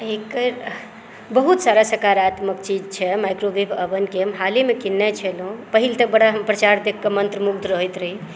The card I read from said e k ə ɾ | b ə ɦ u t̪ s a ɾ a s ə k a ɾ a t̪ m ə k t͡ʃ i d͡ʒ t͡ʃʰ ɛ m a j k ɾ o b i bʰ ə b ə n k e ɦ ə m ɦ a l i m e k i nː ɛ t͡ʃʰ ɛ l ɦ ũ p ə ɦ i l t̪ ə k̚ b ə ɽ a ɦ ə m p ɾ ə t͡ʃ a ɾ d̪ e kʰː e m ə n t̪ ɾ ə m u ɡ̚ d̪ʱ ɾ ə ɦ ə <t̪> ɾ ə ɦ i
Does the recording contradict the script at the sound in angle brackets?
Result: no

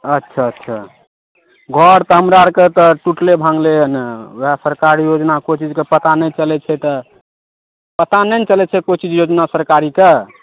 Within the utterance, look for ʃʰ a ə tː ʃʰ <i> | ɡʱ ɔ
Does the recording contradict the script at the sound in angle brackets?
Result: yes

